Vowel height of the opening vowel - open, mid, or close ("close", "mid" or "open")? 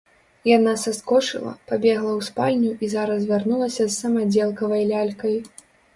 open